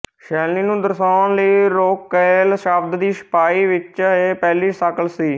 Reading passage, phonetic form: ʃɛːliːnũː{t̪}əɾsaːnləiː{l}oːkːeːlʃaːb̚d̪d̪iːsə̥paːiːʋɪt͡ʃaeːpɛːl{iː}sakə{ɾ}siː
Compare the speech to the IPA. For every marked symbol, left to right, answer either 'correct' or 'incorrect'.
incorrect: d̪, incorrect: ɾ, correct, incorrect: l

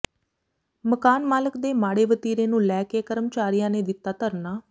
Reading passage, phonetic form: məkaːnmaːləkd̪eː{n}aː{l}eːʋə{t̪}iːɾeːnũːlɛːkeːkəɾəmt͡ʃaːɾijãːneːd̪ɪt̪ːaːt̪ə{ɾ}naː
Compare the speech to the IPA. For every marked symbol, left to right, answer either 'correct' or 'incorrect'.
incorrect: m, incorrect: ɽ, correct, correct

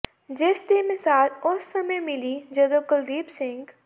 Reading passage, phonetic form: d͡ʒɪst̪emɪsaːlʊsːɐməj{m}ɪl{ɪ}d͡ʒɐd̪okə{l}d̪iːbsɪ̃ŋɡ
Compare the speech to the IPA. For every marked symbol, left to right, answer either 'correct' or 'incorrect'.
correct, incorrect: i, correct

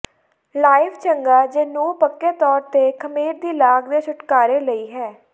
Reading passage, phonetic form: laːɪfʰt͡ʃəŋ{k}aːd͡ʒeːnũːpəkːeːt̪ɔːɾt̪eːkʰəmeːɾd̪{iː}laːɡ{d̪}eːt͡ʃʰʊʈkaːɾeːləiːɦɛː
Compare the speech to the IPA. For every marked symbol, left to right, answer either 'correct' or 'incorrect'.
incorrect: ɡ, correct, correct

